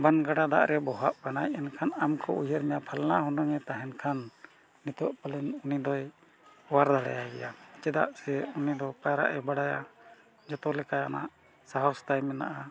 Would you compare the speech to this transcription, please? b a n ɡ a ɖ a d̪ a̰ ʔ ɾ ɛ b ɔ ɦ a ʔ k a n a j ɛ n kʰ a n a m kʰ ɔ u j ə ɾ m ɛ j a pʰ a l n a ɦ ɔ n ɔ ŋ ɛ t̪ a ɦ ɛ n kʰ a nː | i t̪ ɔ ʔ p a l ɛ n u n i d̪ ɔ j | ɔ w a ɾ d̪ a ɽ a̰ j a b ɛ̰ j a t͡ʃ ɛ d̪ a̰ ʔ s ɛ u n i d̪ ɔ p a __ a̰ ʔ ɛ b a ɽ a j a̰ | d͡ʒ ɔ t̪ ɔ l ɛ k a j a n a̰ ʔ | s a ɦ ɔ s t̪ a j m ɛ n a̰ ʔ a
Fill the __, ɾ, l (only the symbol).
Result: ɾ